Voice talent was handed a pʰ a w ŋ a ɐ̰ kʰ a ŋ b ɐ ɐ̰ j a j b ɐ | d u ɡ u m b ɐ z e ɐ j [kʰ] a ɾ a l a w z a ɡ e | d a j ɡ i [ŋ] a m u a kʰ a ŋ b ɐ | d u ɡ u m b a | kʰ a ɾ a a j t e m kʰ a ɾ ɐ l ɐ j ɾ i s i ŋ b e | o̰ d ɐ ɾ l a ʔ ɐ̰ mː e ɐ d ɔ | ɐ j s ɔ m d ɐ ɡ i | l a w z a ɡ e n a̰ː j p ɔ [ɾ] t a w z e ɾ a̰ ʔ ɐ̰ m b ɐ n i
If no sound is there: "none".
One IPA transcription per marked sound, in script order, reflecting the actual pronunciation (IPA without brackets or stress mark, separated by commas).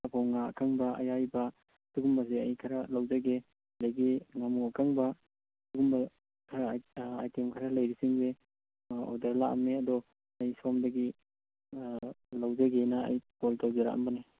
kʰ, ŋ, l